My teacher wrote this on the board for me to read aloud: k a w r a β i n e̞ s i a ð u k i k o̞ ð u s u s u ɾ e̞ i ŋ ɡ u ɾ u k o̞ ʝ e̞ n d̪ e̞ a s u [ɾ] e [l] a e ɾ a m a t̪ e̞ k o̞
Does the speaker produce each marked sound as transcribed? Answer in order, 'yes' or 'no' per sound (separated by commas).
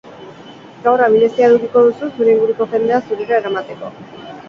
yes, no